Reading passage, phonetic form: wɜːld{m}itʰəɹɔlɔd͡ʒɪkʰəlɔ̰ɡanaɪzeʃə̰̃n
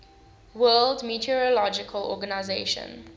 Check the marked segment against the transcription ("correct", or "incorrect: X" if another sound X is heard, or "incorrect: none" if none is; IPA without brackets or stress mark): correct